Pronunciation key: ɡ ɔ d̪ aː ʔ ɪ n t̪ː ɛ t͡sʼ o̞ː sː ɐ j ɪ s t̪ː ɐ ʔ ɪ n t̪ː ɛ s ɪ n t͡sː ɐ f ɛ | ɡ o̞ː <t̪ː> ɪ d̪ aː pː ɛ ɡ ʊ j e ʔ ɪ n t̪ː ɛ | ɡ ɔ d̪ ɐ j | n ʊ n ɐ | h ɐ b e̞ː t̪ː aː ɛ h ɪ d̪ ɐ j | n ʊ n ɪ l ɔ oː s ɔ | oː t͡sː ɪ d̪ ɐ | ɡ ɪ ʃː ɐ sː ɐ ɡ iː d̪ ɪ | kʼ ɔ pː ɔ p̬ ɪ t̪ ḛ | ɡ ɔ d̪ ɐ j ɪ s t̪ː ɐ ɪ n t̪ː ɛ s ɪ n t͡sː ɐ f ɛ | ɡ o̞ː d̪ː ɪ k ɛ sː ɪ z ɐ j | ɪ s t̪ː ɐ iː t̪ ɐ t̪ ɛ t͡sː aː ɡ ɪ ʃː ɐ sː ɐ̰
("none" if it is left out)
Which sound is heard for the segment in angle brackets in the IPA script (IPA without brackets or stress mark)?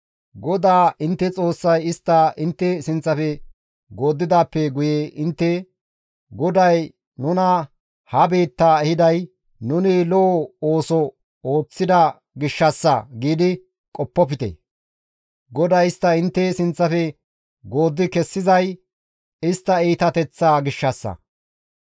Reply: d̪ː